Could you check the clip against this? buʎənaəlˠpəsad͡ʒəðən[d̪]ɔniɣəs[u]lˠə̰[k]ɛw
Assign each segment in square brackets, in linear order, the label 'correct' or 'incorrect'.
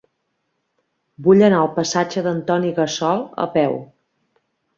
incorrect: t̪, incorrect: ɔ, incorrect: p

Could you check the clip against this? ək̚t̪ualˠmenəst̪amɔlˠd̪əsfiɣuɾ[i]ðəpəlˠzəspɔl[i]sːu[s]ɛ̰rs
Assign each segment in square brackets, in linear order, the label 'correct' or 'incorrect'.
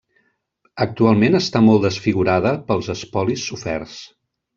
incorrect: a, correct, incorrect: f

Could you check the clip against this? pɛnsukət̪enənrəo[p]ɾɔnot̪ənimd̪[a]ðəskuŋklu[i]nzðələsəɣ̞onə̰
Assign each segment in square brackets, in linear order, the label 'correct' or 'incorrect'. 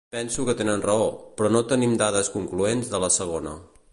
correct, correct, incorrect: e

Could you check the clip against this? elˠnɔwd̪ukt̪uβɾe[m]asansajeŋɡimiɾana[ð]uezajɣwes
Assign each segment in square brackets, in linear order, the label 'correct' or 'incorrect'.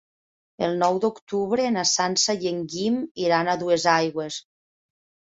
incorrect: n, correct

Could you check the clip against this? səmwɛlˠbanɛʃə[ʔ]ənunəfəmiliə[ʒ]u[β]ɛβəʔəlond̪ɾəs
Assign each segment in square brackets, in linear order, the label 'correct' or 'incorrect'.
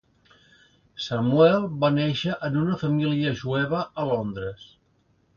correct, correct, incorrect: none

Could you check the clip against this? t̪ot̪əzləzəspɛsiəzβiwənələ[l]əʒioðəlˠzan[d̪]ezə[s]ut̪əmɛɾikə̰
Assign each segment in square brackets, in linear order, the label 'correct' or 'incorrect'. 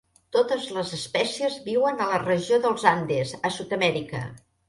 incorrect: r, correct, correct

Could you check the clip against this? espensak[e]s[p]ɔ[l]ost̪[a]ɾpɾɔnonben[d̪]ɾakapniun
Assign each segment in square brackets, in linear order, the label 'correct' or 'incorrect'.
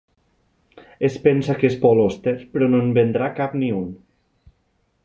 correct, correct, correct, incorrect: e, correct

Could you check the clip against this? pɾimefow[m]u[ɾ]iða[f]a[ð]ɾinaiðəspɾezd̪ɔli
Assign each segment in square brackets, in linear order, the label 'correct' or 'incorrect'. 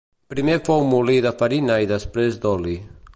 correct, incorrect: l, correct, incorrect: none

